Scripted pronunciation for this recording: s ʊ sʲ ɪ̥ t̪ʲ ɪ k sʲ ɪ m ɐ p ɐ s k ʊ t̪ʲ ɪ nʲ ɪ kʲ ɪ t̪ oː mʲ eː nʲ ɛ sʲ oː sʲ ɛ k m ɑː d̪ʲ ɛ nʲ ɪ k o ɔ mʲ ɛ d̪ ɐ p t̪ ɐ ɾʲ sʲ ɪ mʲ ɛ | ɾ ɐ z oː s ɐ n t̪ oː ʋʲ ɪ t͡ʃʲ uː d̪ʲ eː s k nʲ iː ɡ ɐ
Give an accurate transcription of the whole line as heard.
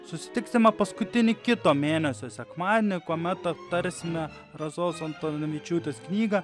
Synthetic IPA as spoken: s ʊ sʲ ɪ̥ t̪ʲ ɪ k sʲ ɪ m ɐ p ɐ s k ʊ t̪ʲ ɪ nʲ ɪ kʲ ɪ t̪ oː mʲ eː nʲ ɛ sʲ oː sʲ ɛ k m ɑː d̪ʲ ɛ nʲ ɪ k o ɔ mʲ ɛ t̪ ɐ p t̪ ɐ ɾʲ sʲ ɪ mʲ ɛ | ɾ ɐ z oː s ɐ n t̪ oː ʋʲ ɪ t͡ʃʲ uː t̪ʲ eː s k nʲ iː ɡ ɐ